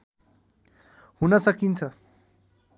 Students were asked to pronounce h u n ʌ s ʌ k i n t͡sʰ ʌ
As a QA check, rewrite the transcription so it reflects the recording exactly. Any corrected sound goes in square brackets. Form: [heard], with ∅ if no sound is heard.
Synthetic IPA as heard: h u n ʌ s ʌ k i n t͡sʰ ʌ